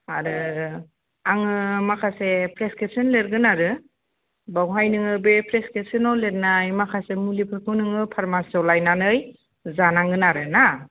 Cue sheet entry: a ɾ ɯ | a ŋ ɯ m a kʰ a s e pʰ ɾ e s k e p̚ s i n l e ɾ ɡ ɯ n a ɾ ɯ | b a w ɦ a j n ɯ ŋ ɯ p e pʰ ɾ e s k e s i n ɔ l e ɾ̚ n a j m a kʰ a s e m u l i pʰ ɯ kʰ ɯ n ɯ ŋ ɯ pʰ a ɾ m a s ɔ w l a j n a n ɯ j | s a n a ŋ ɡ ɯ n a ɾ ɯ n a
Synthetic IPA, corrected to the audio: a ɾ ɯ | a ŋ ɯ m a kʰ a s e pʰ ɾ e s k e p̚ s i n l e ɾ ɡ ɯ n a ɾ ɯ | b a w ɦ a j n ɯ ŋ ɯ b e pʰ ɾ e s k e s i n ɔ l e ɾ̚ n a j m a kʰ a s e m u l i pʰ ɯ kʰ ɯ n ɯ ŋ ɯ pʰ a ɾ m a s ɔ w l a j n a n ɯ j | z a n a ŋ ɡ ɯ n a ɾ ɯ n a

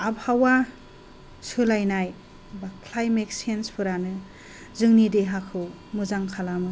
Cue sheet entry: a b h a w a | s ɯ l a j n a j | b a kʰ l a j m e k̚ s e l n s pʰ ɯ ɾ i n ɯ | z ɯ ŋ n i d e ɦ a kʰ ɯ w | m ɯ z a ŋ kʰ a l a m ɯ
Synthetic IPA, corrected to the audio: a b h a w a | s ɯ l a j n a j | b a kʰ l a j m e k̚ s e n s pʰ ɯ ɾ a n ɯ | z ɯ ŋ n i d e ɦ a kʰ ɯ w | m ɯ z a ŋ kʰ a l a m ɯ

